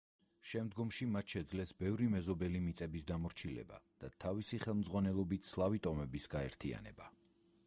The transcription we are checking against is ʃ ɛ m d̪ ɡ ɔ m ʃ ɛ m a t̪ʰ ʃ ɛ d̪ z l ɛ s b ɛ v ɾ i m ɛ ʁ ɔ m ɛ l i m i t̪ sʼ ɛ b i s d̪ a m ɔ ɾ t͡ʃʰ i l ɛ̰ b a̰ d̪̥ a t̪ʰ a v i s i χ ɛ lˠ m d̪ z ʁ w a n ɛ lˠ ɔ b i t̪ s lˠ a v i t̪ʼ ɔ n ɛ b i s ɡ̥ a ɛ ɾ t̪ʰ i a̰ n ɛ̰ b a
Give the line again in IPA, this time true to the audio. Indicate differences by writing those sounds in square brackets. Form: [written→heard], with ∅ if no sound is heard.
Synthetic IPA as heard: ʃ ɛ m d̪ ɡ ɔ m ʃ [ɛ→i] m a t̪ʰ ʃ ɛ d̪ z l ɛ s b ɛ v ɾ i m ɛ [ʁ→z] ɔ [m→b] ɛ l i m i t̪ sʼ ɛ b i s d̪ a m ɔ ɾ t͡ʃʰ i l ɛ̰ b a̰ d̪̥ a t̪ʰ a v i s i χ ɛ lˠ m d̪ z ʁ w a n ɛ lˠ ɔ b i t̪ s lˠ a v i t̪ʼ ɔ [n→m] ɛ b i s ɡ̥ a ɛ ɾ t̪ʰ i a̰ n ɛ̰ b a

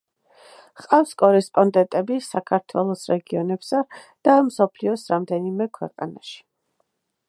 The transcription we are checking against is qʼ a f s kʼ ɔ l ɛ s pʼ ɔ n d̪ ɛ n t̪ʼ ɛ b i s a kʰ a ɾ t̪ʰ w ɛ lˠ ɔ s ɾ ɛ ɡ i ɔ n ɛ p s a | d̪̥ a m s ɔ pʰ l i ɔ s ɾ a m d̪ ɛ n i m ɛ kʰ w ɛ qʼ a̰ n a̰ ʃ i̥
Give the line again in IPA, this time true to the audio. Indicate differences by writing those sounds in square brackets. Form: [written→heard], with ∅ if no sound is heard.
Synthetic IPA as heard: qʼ a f s kʼ ɔ [l→ɾ] ɛ s pʼ ɔ n d̪ ɛ n t̪ʼ ɛ b i s a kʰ a ɾ t̪ʰ w ɛ lˠ ɔ s ɾ ɛ ɡ i ɔ n ɛ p s a | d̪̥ a m s ɔ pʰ l i ɔ s ɾ a m d̪ ɛ n i m ɛ kʰ w ɛ qʼ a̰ n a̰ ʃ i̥

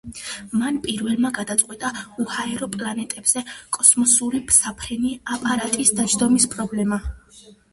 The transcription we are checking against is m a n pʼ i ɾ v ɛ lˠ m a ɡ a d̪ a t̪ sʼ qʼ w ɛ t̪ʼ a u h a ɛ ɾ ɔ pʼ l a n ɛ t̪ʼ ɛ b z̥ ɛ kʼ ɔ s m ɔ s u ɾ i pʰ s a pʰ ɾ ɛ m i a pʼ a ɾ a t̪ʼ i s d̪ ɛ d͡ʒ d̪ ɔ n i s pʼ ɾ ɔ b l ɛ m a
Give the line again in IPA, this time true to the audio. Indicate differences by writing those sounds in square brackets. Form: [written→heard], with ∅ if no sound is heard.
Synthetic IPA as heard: m a n pʼ i ɾ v ɛ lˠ m a ɡ a d̪ a t̪ sʼ qʼ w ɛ t̪ʼ a u h a ɛ ɾ ɔ pʼ l a n ɛ t̪ʼ ɛ b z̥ ɛ kʼ ɔ s m ɔ s u ɾ i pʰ s a pʰ ɾ ɛ [m→n] i a pʼ a ɾ a t̪ʼ i s d̪ [ɛ→a] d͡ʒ d̪ ɔ [n→m] i s pʼ ɾ ɔ b l ɛ m a

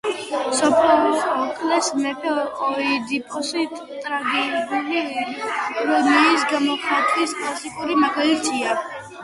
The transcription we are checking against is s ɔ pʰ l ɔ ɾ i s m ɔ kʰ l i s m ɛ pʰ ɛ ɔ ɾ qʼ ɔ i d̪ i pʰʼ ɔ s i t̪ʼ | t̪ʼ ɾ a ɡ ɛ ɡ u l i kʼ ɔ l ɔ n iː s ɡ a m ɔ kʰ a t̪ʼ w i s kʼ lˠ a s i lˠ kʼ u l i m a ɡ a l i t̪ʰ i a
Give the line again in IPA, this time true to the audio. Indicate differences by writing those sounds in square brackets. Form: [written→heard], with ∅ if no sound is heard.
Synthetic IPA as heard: s ɔ pʰ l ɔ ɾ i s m ɔ kʰ l [i→ɛ] s m ɛ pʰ ɛ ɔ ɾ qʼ ɔ i d̪ i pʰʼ ɔ s i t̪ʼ | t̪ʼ ɾ a ɡ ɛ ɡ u l i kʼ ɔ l ɔ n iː s ɡ a m ɔ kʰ a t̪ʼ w i s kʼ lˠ a s i [lˠ→∅] kʼ u [l→ɾ] i m a ɡ a l i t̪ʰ i a

